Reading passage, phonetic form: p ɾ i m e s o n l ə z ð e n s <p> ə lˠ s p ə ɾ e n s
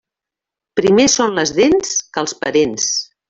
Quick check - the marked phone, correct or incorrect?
incorrect: k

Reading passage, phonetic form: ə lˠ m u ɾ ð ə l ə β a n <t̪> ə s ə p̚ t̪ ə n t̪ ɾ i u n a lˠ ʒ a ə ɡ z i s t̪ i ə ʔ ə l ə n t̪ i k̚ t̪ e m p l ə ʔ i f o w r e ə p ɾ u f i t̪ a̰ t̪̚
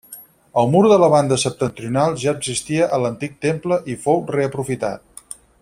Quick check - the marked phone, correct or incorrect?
incorrect: d̪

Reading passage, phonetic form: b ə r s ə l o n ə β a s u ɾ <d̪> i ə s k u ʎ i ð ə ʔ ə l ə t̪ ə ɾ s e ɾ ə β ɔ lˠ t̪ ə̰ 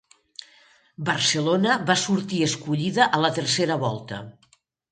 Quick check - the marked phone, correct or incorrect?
incorrect: t̪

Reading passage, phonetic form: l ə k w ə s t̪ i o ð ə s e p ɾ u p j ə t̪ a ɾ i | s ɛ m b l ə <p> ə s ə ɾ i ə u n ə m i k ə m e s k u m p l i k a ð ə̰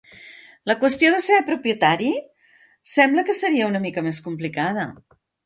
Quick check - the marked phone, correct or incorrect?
incorrect: k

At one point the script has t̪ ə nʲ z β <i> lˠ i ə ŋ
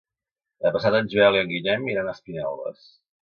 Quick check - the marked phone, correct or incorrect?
incorrect: ɛ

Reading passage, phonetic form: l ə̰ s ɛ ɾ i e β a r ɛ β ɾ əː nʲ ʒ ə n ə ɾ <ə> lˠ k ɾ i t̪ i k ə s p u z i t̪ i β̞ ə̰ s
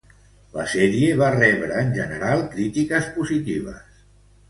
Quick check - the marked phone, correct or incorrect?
incorrect: a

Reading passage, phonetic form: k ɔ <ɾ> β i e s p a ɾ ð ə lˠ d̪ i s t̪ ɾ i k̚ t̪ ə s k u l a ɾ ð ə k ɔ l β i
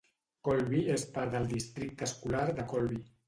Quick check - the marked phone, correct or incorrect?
incorrect: l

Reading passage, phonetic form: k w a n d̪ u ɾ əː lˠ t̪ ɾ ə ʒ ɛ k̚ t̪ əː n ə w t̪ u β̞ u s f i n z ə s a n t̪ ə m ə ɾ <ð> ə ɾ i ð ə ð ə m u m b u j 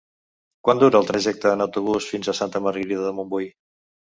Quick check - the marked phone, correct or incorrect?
incorrect: ɣ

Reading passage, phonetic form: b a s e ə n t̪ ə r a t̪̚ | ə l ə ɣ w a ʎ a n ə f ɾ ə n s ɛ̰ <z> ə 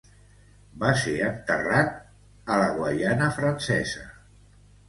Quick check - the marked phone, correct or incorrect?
correct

